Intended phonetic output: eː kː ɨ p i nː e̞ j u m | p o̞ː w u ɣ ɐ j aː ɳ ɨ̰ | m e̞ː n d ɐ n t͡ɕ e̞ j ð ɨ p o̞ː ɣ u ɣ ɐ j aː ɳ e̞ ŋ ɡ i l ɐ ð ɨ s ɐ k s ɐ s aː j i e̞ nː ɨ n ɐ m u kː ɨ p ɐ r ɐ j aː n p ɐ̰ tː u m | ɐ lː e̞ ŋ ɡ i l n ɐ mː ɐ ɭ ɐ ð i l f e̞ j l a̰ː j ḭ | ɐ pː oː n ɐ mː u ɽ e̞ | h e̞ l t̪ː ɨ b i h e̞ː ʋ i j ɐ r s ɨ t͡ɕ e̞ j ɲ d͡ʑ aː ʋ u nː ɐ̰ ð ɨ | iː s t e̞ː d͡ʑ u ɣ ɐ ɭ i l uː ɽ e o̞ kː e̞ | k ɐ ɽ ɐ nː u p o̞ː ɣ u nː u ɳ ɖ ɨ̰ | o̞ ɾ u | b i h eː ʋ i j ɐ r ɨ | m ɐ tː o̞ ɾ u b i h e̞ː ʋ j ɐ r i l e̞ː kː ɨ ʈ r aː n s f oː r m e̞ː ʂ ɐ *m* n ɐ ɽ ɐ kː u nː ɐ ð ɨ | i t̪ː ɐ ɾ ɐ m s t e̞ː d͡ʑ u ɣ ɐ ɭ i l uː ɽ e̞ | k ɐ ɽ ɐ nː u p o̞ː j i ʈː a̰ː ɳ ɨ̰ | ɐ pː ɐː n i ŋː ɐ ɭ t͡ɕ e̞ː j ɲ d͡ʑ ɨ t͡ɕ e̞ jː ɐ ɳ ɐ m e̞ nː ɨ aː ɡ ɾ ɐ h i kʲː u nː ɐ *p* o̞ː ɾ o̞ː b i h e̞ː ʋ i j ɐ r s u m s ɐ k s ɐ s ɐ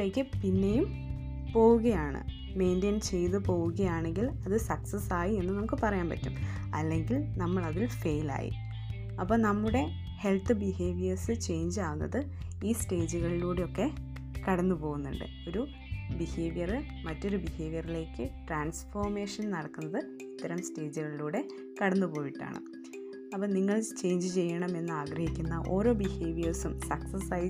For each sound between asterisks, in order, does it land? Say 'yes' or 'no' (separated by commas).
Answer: no, no